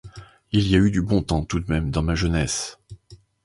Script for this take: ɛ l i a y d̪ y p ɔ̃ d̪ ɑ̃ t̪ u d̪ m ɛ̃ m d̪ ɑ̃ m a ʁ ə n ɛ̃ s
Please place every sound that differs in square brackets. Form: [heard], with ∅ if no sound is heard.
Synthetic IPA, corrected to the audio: [i] l i a y d̪ y [b] ɔ̃ [t̪] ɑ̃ t̪ u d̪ m [ɛ] m d̪ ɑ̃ m a [ʒ] ə n [ɛ] s